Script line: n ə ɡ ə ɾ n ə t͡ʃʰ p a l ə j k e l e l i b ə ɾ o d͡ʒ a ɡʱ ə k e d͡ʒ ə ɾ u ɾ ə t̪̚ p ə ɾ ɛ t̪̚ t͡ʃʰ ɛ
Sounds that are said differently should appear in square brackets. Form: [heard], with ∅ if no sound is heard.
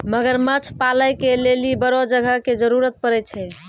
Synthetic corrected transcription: [m] ə ɡ ə ɾ [m] ə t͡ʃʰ p a l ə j k e l e l i b ə ɾ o d͡ʒ [ə] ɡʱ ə k e d͡ʒ ə ɾ u ɾ ə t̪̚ p ə ɾ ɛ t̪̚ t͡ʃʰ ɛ